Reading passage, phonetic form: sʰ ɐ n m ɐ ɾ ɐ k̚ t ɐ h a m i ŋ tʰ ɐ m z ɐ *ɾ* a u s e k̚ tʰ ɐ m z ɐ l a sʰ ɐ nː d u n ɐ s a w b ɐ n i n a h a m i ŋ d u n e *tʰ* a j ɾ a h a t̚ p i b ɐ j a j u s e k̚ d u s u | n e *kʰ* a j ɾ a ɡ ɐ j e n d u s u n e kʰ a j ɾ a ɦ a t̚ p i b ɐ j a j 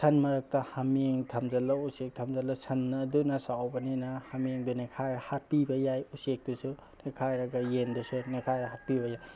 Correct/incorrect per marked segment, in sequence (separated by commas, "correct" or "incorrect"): incorrect, incorrect, correct